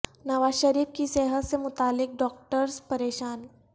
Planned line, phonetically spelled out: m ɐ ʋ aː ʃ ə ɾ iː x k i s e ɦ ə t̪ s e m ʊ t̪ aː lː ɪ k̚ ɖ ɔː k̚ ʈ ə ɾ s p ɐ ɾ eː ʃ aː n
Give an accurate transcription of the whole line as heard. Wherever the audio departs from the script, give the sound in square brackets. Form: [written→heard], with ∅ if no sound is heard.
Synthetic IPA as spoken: [m→n] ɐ ʋ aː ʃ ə ɾ iː [x→f] k i s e ɦ ə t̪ s e m ʊ t̪ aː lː ɪ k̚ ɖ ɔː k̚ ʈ ə ɾ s p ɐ ɾ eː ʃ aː n